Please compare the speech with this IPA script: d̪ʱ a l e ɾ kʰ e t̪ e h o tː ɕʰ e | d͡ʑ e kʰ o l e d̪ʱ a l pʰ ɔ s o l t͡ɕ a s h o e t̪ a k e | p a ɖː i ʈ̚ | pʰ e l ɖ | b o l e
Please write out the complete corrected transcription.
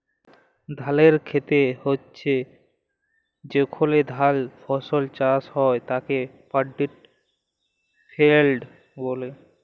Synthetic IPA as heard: d̪ʱ a l e ɾ kʰ e t̪ e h o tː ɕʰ e | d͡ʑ e kʰ o l e d̪ʱ a l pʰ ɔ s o l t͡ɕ a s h ɔ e t̪ a k e | p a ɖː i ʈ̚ | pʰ e l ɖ | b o l e